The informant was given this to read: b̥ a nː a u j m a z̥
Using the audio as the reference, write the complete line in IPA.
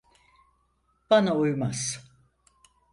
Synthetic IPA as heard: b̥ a n a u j m a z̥